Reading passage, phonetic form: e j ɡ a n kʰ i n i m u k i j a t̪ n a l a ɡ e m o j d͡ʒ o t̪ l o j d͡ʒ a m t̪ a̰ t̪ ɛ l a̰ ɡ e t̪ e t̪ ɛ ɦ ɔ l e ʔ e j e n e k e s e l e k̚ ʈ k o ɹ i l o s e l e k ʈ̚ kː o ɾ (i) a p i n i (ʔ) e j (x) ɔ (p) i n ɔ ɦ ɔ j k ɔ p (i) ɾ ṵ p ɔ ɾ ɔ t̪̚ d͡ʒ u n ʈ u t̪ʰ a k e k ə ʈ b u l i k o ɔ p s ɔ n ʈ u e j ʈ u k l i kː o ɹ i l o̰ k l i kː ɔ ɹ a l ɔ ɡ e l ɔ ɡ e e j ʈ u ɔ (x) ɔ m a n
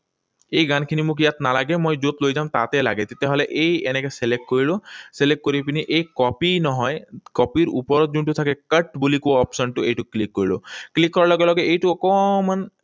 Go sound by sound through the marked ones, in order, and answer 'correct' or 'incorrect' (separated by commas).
correct, correct, incorrect, correct, correct, incorrect